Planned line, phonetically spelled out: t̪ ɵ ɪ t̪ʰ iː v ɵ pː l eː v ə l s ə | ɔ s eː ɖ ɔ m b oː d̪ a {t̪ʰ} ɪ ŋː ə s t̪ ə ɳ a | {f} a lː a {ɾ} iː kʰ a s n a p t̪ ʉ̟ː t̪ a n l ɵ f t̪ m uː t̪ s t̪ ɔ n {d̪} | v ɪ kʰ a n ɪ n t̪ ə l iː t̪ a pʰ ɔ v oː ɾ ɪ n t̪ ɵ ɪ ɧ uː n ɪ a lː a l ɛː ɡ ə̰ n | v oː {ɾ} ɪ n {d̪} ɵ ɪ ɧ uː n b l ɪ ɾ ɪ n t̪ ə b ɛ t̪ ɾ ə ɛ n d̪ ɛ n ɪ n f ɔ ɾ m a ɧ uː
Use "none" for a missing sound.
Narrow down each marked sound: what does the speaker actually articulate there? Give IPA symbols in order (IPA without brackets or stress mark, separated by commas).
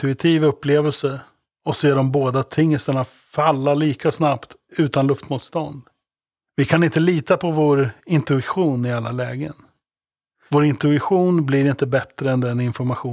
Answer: t̪ʰ, f, ɭ, d̪, ɾ, t̪